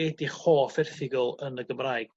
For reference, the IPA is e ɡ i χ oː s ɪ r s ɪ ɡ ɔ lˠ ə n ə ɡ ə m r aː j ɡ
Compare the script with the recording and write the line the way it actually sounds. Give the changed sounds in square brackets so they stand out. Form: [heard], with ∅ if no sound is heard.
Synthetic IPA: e [d] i χ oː [f] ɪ r [θ] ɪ ɡ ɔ lˠ ə n ə ɡ ə m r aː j ɡ